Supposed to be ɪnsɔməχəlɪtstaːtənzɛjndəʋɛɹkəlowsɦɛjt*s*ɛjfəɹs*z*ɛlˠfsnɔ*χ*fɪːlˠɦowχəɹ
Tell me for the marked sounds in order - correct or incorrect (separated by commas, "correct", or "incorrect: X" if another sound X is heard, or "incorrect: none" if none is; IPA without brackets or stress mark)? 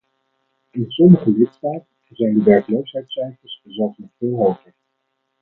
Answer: correct, correct, correct